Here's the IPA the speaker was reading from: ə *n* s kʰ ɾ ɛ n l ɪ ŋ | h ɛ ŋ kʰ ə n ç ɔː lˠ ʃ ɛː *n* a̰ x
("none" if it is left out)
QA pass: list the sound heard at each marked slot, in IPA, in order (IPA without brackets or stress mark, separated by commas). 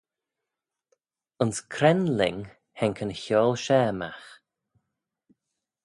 n, m